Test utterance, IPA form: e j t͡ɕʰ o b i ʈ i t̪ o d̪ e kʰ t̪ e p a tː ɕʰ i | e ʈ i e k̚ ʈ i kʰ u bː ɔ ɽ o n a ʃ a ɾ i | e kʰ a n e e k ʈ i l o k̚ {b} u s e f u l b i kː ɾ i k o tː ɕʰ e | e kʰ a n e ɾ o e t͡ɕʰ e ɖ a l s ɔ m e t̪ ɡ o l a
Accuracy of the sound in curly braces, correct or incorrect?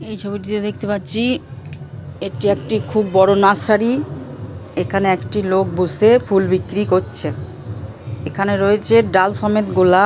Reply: correct